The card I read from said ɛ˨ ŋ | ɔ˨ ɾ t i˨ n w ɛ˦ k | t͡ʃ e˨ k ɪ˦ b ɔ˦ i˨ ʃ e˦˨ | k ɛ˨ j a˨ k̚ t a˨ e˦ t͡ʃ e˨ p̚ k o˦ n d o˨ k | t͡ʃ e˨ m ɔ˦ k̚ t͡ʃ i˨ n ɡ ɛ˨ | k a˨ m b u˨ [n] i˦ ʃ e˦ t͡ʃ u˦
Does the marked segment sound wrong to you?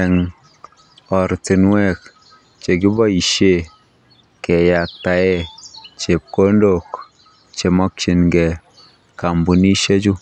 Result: no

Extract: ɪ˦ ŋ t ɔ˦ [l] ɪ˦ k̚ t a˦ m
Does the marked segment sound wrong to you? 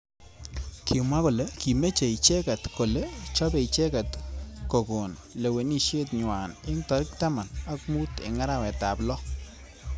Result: yes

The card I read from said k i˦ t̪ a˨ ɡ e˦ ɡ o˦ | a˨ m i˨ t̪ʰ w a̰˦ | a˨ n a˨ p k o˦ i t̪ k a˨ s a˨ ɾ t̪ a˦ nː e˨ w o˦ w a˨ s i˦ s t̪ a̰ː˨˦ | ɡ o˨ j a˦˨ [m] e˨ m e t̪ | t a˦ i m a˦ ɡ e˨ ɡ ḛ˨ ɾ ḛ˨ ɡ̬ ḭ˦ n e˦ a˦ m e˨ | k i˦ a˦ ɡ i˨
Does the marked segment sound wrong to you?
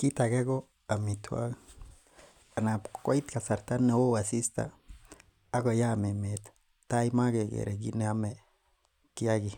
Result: no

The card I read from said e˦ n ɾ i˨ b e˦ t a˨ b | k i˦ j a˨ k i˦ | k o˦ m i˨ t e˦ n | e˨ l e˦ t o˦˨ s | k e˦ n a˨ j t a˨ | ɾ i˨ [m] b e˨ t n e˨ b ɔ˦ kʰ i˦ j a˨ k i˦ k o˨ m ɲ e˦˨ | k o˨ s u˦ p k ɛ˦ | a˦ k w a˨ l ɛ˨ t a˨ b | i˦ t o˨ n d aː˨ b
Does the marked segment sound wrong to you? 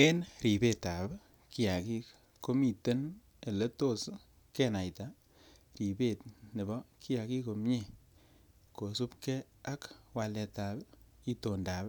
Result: yes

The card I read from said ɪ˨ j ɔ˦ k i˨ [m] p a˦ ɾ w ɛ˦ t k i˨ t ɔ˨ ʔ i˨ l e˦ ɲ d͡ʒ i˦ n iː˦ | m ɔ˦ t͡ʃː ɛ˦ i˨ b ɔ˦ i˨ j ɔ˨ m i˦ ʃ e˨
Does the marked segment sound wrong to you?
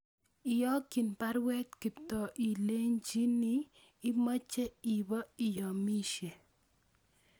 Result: yes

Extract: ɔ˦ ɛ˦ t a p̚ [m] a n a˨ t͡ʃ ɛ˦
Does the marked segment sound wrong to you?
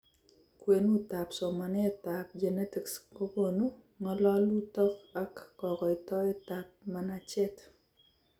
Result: no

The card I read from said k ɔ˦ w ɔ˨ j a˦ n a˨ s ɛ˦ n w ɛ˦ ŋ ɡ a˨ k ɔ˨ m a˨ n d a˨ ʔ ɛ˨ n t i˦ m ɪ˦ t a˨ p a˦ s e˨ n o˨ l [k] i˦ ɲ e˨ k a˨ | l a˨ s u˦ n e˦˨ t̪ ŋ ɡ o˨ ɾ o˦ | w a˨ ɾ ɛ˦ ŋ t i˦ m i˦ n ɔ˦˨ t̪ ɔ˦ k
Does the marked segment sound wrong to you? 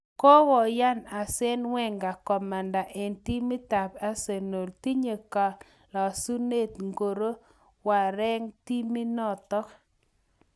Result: yes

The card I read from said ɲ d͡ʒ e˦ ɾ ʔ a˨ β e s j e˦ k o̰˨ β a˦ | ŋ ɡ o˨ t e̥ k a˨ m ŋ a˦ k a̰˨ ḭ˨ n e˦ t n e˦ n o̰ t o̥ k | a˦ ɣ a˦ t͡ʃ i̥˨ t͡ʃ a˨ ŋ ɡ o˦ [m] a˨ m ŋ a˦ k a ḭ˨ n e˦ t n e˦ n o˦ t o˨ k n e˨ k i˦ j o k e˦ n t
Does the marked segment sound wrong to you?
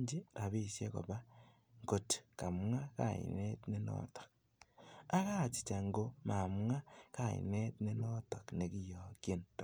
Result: no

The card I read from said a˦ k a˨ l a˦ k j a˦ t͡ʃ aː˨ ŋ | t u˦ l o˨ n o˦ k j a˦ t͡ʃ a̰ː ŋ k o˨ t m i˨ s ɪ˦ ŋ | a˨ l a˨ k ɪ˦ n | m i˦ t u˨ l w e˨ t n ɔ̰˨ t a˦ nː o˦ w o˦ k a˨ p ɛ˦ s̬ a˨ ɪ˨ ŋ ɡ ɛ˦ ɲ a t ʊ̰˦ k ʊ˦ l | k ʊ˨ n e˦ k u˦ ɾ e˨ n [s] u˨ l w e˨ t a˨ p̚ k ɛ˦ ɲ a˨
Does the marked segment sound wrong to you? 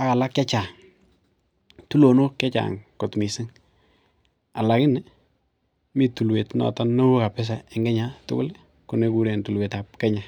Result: yes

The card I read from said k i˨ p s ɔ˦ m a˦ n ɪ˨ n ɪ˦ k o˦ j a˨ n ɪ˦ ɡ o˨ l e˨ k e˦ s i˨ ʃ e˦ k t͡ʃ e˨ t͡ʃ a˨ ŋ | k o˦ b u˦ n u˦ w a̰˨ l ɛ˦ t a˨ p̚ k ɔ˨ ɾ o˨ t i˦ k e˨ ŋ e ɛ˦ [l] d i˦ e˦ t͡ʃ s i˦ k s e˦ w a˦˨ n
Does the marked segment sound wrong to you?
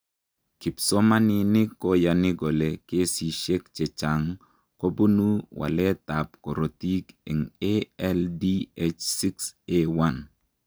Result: no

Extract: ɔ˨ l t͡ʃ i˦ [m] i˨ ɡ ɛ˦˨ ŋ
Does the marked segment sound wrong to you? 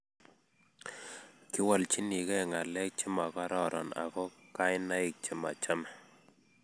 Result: yes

